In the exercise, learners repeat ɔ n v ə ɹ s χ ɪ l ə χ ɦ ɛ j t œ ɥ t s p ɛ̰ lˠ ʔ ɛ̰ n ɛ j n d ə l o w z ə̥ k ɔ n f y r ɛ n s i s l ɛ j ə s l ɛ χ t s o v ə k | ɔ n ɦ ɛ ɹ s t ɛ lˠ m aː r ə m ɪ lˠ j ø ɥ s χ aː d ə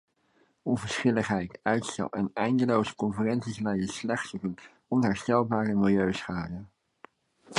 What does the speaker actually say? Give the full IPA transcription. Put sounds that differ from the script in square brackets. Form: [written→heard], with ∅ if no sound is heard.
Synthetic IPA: ɔ n v ə ɹ s χ ɪ l ə χ ɦ ɛ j t œ ɥ t s [p→t] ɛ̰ lˠ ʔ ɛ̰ n ɛ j n d ə l o w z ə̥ k ɔ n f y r ɛ n s i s l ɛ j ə s l ɛ χ t s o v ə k | ɔ n ɦ ɛ ɹ s t ɛ lˠ [m→b] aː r ə m ɪ lˠ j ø ɥ s χ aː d ə

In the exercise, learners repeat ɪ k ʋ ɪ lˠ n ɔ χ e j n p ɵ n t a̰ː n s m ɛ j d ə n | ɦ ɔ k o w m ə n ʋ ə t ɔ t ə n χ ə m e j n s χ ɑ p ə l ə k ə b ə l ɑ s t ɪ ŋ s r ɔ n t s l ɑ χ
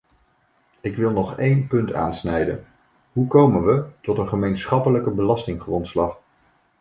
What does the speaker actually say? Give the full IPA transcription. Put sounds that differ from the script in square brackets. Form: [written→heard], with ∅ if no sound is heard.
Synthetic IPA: ɪ k ʋ ɪ lˠ n ɔ χ e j n p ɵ n t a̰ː n s [m→n] ɛ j d ə n | ɦ [ɔ→u] k o w m ə n ʋ ə t ɔ t ə n χ ə m e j n s χ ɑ p ə l ə k ə b ə l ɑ s t ɪ ŋ [s→χ] r ɔ n t s l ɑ χ

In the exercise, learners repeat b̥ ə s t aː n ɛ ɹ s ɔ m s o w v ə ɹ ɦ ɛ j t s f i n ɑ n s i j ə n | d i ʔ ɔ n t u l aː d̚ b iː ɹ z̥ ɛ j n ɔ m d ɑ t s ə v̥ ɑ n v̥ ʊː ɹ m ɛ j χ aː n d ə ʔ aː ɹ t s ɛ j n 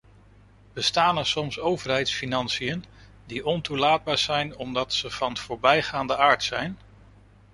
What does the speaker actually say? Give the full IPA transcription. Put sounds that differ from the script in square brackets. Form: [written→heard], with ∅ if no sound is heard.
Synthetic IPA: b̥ ə s t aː n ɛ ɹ s ɔ m s o w v ə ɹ ɦ ɛ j t s f i n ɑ n s i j ə n | d i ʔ ɔ n t u l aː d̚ b [iː→aː] ɹ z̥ ɛ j n ɔ m d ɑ t s ə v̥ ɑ n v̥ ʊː ɹ [m→b] ɛ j χ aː n d ə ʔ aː ɹ t s ɛ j n

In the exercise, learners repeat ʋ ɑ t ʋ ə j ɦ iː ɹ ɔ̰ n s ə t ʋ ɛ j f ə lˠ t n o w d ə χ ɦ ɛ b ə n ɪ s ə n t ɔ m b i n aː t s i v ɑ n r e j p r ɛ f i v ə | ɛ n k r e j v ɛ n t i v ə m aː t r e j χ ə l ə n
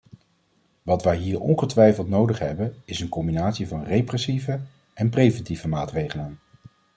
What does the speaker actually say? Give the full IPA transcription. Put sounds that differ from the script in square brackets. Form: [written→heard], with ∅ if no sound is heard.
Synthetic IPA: ʋ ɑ t ʋ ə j ɦ iː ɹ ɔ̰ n [s→χ] ə t ʋ ɛ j f ə lˠ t n o w d ə χ ɦ ɛ b ə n ɪ s ə n [t→k] ɔ m b i n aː t s i v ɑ n r e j p r ɛ [f→s] i v ə | ɛ n [k→p] r e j v ɛ n t i v ə m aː t r e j χ ə l ə n

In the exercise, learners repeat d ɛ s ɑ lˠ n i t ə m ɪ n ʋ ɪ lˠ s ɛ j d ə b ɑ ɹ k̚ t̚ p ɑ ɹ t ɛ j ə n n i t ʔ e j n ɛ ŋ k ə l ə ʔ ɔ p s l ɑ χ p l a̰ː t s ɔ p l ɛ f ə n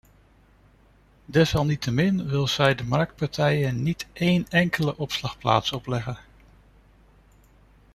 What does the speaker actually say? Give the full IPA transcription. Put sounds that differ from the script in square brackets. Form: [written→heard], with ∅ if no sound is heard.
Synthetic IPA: d ɛ s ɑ lˠ n i t ə m ɪ n ʋ ɪ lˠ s ɛ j d ə [b→m] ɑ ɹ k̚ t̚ p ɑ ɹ t ɛ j ə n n i t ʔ e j n ɛ ŋ k ə l ə ʔ ɔ p s l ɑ χ p l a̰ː t s ɔ p l ɛ [f→χ] ə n

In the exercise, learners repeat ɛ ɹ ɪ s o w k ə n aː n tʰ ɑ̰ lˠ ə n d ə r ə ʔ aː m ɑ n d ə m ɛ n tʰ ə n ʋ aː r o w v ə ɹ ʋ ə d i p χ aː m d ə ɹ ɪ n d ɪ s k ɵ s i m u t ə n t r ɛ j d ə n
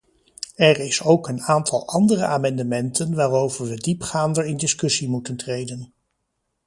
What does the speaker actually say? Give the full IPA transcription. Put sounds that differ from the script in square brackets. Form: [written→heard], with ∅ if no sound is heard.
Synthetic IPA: ɛ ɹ ɪ s o w k ə n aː n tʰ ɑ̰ lˠ [ə→ɑ] n d ə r ə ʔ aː m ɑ n d ə m ɛ n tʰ ə n ʋ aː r o w v ə ɹ ʋ ə d i p χ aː [m→n] d ə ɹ ɪ n d ɪ s k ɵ s i m u t ə n t r [ɛ→e] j d ə n

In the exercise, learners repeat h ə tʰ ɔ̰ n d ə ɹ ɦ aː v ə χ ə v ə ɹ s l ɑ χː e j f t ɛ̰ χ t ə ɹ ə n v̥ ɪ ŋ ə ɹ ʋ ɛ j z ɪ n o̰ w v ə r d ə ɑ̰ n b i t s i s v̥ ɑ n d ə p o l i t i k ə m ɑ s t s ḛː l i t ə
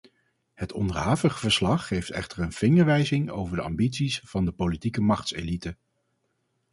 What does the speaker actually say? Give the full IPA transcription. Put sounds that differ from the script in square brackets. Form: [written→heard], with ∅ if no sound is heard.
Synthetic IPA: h ə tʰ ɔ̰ n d ə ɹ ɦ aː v ə χ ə v ə ɹ s l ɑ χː e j f t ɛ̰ χ t ə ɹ ə n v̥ ɪ ŋ ə ɹ ʋ ɛ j z ɪ [n→ŋ] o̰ w v ə [r→ɹ] d ə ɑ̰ [n→m] b i t s i s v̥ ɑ n d ə p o l i t i k ə m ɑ [s→χ] t s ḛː l i t ə

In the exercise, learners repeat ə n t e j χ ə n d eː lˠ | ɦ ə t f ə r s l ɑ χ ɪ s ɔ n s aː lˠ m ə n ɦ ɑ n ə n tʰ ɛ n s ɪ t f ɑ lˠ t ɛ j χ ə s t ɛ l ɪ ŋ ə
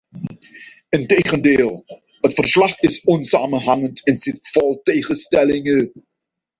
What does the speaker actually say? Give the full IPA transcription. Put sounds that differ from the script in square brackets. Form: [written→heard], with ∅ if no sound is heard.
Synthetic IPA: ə n t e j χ ə n d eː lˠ | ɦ ə t f ə r s l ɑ χ ɪ s ɔ n s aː [lˠ→∅] m ə n ɦ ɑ [n→ŋ] ə n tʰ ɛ n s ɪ t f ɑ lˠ t [ɛ→e] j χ ə s t ɛ l ɪ ŋ ə

